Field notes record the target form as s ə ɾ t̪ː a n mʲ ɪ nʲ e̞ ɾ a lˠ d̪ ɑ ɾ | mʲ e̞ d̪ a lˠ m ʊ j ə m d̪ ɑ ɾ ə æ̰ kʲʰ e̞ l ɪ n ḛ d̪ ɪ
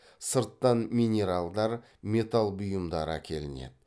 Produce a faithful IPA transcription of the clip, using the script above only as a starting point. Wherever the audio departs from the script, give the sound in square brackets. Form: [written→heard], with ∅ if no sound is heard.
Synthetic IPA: s ə ɾ t̪ː [a→ɑ] n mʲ [ɪ→i] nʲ e̞ ɾ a lˠ d̪ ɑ ɾ | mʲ e̞ [d̪→t̪] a lˠ [m→b] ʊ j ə m d̪ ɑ ɾ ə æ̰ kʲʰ e̞ l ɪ n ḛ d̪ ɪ